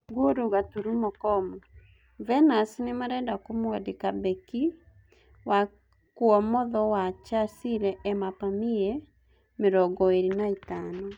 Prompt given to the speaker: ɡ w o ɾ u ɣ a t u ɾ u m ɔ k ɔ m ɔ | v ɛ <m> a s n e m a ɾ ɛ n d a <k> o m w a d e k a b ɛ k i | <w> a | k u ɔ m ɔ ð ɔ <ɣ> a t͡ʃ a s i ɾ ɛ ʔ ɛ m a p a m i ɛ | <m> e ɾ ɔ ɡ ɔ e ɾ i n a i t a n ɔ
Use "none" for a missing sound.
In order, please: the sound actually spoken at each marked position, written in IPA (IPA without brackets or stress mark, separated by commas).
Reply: n, k, w, w, m